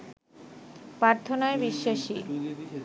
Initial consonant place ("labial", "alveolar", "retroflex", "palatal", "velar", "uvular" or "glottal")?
labial